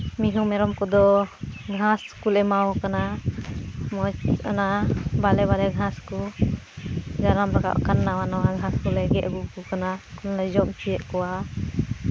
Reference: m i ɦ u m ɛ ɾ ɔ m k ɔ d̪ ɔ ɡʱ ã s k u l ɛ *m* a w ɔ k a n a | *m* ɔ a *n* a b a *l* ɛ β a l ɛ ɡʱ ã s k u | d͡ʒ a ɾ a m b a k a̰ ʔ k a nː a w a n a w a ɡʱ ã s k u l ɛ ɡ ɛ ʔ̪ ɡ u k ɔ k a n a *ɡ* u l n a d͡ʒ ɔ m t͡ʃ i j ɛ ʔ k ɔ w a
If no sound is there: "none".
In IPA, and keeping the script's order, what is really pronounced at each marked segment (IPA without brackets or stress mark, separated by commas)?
m, m, n, l, k